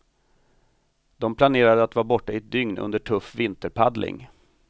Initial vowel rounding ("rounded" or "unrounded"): rounded